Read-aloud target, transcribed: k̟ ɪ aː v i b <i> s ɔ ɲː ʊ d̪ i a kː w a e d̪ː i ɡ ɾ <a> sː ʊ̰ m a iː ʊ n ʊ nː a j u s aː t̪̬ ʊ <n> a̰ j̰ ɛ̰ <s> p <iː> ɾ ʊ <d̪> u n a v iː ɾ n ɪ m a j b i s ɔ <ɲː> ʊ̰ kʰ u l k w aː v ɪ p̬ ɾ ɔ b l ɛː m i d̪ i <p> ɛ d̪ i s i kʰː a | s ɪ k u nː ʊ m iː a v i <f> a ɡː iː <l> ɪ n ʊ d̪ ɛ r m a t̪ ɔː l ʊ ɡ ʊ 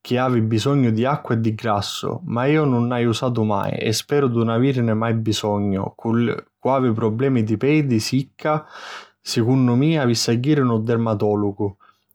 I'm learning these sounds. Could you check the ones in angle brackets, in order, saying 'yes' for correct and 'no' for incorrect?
yes, yes, no, yes, no, yes, yes, yes, no, no

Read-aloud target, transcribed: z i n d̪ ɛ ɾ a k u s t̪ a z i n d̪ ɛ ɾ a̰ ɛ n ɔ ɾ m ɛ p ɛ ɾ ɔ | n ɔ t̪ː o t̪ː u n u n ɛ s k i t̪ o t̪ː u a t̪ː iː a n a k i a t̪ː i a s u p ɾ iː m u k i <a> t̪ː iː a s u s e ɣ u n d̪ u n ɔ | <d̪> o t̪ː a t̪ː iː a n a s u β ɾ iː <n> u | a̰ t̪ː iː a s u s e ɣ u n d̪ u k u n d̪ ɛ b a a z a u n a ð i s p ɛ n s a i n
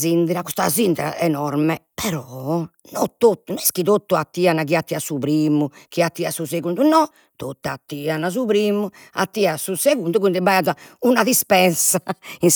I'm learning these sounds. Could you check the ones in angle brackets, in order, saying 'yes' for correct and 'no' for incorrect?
yes, no, no

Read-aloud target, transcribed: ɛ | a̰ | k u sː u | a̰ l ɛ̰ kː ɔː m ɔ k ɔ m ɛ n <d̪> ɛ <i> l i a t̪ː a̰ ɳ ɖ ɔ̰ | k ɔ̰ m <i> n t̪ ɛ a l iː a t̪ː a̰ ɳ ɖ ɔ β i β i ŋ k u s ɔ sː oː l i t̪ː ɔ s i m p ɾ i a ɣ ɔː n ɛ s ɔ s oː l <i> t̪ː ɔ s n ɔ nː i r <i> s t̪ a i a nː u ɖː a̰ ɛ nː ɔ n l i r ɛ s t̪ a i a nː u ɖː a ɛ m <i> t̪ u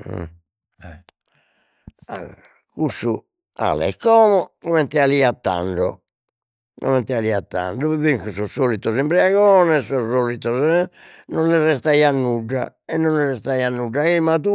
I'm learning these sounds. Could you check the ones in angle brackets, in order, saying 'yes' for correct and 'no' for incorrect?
no, no, no, yes, no, no

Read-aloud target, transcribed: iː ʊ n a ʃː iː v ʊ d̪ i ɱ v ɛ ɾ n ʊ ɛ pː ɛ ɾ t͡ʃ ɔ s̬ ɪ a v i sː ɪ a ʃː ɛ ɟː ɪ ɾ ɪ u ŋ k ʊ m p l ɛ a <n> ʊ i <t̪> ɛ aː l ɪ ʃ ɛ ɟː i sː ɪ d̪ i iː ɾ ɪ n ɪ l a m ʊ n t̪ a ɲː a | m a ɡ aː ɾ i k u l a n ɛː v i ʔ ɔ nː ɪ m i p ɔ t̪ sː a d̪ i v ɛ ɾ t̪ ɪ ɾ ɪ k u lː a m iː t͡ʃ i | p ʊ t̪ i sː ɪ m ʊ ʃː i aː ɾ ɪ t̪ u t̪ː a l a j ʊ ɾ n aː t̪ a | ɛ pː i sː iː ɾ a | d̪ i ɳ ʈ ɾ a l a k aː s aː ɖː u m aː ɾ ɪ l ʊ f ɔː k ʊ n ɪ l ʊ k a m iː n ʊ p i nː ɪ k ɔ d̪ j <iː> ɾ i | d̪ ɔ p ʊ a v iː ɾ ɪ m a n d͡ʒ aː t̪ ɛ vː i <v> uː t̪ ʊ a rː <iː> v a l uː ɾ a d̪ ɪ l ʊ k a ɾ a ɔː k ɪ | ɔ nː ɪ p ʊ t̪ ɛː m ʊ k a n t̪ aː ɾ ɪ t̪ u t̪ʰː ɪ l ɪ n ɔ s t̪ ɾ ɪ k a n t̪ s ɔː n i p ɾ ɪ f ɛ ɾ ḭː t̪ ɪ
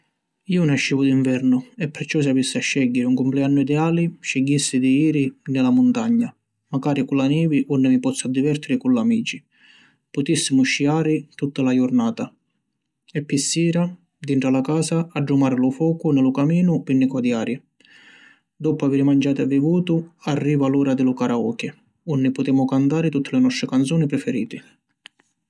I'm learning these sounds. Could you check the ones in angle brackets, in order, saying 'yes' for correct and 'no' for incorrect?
no, no, no, yes, yes

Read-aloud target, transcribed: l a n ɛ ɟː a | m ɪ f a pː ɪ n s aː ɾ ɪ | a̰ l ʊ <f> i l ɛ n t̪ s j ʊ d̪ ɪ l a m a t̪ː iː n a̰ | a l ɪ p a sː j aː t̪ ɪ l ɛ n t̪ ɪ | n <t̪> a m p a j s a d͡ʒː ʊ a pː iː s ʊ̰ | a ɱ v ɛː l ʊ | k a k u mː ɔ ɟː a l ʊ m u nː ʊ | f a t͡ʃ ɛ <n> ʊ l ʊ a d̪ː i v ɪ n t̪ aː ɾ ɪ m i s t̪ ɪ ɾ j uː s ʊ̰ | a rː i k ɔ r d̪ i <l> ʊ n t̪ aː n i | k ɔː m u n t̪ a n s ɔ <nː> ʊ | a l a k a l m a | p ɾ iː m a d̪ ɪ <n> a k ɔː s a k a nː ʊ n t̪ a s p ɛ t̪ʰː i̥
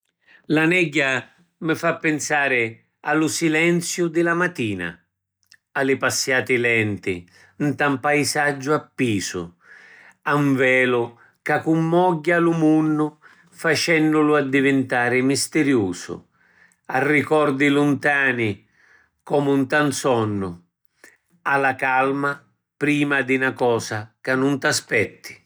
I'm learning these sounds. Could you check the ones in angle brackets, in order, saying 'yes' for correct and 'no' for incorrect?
no, yes, no, yes, yes, yes

